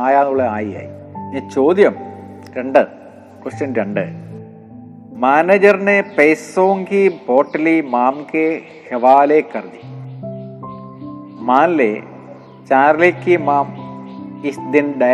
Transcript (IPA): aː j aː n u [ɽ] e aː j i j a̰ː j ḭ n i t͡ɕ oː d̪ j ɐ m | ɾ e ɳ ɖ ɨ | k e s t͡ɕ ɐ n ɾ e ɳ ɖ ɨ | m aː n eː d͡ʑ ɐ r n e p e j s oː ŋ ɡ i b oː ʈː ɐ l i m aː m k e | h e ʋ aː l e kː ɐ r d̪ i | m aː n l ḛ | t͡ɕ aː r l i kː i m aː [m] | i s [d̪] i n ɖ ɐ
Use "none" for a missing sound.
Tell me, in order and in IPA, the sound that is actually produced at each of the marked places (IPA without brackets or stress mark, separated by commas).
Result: ɭ, m, d̪